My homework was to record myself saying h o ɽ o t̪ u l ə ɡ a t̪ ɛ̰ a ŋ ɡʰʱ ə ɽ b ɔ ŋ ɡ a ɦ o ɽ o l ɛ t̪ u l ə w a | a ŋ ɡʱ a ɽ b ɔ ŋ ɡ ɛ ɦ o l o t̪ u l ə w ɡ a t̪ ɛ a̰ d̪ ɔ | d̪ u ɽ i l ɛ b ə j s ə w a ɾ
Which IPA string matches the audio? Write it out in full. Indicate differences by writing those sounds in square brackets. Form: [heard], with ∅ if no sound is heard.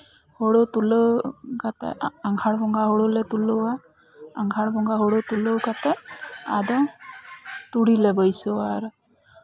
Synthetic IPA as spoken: h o ɽ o t̪ u l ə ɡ a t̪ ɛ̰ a ŋ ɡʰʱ [a] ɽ b ɔ ŋ ɡ a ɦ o ɽ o l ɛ t̪ u l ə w a | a ŋ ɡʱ a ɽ b ɔ ŋ ɡ [a] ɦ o [ɽ] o t̪ u l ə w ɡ a t̪ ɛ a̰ d̪ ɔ | [t̪] u ɽ i l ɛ b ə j s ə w a ɾ